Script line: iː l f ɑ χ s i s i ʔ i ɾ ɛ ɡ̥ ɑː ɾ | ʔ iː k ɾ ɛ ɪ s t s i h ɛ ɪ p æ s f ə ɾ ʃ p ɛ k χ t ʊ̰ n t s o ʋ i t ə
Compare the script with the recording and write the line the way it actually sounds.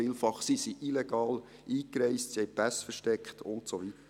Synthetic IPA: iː l f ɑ χ s i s i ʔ i l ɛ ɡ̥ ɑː l | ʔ iː k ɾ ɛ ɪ s t s i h ɛ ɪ p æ s f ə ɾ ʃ t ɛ k χ t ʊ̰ n t s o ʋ i t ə